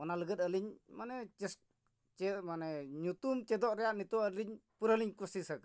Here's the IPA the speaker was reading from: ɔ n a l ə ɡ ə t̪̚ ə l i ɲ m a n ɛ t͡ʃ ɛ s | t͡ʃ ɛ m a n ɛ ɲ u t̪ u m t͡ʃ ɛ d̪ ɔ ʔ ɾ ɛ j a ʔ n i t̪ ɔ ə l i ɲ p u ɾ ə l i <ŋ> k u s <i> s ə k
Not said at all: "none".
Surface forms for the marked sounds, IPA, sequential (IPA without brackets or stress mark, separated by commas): ɲ, i